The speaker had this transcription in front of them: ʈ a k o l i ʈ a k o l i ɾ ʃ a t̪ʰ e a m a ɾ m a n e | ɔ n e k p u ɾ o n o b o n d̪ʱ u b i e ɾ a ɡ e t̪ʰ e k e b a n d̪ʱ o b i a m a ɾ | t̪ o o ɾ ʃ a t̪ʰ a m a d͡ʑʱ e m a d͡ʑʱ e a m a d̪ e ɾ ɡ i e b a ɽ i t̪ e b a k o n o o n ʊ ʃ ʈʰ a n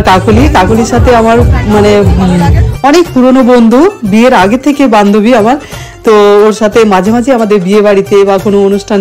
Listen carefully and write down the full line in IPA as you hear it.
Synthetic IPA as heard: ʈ a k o l i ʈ a k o l i ɾ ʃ a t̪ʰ e a m a ɾ m a n e | ɔ n e k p u ɾ o n o b o n d̪ʱ u b i e ɾ a ɡ e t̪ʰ e k e b a n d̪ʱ o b i a m a ɾ | t̪ o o ɾ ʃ a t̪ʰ e m a d͡ʑʱ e m a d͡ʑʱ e a m a d̪ e ɾ b i e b a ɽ i t̪ e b a k o n o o n u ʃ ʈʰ a n